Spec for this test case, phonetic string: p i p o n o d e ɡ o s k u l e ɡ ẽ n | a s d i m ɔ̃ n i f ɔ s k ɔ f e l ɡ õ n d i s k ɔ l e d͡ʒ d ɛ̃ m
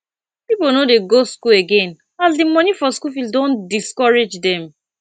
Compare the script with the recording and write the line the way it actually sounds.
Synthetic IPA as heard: p i p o n o d e ɡ o s k u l e ɡ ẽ n | a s d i m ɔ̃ n i f ɔ s k u f i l d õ n d i s k ɔ ɹ e d͡ʒ d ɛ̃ m